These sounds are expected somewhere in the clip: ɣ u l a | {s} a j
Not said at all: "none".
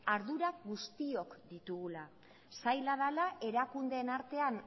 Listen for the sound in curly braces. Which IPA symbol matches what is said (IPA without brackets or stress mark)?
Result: s